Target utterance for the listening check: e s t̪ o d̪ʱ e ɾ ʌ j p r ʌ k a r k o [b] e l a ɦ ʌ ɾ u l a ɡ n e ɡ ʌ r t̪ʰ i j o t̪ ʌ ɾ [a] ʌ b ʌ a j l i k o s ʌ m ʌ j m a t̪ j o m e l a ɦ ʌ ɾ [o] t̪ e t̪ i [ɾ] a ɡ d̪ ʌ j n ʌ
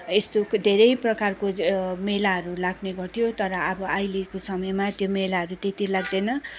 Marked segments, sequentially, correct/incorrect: incorrect: m, incorrect: ʌ, incorrect: u, incorrect: l

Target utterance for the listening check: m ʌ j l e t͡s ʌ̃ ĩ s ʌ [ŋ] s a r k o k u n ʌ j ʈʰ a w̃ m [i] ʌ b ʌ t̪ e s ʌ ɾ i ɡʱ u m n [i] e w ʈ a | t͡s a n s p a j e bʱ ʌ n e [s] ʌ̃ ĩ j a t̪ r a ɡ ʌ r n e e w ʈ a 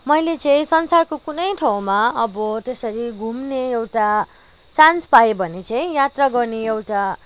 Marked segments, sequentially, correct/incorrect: incorrect: n, incorrect: a, incorrect: e, incorrect: t͡s

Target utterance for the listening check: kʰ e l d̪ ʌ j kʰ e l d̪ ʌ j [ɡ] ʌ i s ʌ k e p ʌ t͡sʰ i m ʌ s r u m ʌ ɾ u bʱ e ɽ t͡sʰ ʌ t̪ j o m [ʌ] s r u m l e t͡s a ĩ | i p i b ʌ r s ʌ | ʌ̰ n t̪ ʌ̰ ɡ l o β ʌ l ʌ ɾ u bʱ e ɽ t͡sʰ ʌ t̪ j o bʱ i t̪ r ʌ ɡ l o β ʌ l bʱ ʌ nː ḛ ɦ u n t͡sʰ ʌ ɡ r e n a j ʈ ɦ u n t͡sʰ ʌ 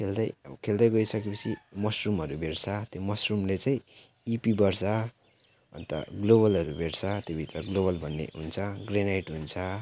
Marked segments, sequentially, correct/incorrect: correct, correct

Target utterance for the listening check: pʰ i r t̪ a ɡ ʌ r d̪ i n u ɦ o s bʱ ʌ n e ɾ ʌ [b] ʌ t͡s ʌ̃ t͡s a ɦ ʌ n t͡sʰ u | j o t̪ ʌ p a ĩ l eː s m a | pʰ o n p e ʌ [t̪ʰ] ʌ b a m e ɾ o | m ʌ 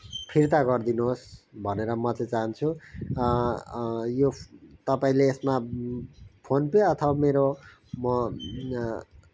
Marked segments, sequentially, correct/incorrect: incorrect: m, correct

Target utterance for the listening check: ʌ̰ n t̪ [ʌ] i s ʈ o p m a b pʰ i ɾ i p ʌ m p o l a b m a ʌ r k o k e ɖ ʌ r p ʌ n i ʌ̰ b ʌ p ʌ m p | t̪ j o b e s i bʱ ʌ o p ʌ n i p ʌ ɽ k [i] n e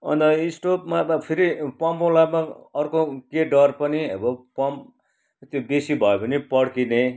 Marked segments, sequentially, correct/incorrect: correct, correct

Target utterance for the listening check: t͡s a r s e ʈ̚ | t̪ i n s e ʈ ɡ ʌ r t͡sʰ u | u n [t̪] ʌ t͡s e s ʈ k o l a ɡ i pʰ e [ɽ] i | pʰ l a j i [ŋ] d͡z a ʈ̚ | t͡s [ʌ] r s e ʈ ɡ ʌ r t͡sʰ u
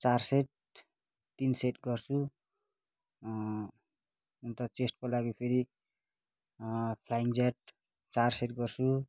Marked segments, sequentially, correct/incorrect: correct, incorrect: ɾ, correct, incorrect: a

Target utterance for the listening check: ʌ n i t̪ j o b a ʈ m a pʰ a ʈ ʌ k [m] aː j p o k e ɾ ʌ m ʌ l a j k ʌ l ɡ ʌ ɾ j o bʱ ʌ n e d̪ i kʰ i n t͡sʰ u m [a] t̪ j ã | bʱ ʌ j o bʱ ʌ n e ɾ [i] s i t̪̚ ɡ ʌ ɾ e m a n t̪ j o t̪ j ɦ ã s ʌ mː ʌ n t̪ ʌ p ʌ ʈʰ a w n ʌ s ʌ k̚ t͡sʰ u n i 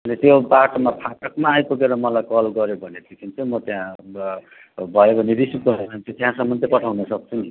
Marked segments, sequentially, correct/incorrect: correct, incorrect: ʌ, correct

